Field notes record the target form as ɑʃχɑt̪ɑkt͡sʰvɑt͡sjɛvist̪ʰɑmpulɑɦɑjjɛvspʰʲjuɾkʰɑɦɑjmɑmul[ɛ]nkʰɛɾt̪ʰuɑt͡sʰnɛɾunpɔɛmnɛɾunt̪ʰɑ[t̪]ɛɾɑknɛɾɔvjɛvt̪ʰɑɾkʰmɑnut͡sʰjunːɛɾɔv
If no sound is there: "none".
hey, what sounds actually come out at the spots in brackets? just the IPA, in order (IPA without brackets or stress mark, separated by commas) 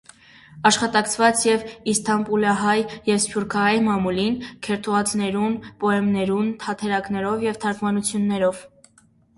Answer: i, t̪ʰ